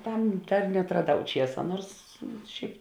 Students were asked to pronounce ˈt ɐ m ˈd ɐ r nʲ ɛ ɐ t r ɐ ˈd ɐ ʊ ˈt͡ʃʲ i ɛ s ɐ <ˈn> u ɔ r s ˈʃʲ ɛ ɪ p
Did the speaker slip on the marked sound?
no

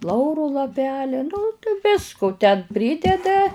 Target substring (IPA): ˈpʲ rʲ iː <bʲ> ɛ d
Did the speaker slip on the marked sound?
yes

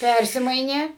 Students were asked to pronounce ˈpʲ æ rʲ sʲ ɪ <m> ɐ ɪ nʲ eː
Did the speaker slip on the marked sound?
no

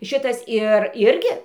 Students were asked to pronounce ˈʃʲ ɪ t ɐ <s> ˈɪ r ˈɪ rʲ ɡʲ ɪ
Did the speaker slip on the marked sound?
no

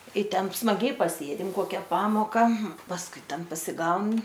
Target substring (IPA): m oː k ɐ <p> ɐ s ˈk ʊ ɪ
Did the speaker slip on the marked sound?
no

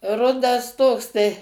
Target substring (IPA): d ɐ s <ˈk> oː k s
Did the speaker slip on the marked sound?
yes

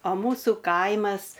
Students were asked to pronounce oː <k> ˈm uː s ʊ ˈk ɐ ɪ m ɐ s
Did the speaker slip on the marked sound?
yes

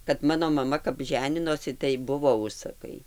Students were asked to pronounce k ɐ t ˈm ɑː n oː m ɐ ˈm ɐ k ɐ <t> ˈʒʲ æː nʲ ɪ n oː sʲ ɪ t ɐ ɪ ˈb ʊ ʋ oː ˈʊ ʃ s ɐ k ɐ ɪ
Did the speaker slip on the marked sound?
yes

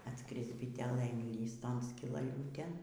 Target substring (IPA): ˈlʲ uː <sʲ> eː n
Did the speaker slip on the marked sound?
yes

